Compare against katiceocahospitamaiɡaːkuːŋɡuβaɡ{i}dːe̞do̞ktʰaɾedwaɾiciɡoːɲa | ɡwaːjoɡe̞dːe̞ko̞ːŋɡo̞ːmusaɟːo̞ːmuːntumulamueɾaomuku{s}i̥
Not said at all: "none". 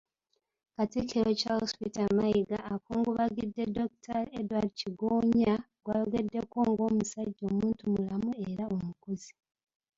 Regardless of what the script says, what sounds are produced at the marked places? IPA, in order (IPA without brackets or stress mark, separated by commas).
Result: i, z